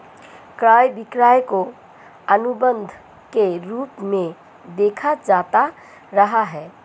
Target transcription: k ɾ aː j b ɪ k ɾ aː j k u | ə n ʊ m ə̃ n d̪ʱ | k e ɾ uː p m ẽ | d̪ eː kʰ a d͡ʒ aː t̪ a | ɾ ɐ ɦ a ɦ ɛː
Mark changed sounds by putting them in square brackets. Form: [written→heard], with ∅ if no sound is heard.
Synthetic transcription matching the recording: k ɾ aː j b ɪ k ɾ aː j k [u→o] | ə n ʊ [m→b] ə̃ n d̪ʱ | k e ɾ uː p m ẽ | d̪ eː kʰ a d͡ʒ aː t̪ a | ɾ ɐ ɦ a ɦ ɛː